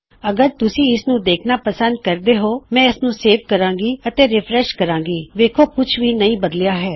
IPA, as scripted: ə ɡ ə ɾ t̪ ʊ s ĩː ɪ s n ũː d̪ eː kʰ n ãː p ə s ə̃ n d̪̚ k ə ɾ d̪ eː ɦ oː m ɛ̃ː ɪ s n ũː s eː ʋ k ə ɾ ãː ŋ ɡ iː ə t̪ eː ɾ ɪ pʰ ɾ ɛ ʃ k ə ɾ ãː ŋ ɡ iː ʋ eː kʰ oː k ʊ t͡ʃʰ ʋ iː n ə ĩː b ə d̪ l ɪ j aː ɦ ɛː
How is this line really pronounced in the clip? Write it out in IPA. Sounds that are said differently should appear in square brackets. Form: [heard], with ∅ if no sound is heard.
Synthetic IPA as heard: ə ɡ ə ɾ t̪ ʊ s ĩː ɪ s n ũː d̪ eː kʰ n [aː] p ə s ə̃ n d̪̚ k ə ɾ d̪ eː ɦ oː m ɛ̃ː ɪ s n ũː s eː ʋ k ə ɾ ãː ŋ ɡ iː ə t̪ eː ɾ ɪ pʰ ɾ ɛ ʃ k ə ɾ ãː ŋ ɡ iː ʋ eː kʰ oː k ʊ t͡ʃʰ ʋ iː n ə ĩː b ə d̪ l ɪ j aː ɦ ɛː